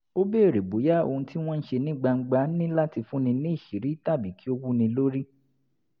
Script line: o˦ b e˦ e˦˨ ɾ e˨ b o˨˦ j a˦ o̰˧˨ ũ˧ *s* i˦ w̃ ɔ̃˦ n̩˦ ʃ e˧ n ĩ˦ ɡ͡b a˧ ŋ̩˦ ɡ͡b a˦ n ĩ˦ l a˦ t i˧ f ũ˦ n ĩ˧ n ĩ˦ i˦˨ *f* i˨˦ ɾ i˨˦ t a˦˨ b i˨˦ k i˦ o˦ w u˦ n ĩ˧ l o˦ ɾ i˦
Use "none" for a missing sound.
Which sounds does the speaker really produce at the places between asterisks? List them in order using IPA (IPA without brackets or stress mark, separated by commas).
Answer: t, ʃ